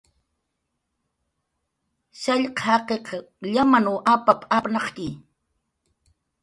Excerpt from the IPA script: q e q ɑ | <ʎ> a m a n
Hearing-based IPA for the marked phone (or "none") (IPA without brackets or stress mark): ʎ